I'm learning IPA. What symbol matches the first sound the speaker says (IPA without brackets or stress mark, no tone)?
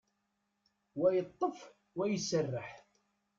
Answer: w